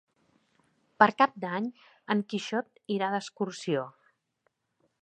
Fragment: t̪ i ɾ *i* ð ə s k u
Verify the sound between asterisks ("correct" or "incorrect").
incorrect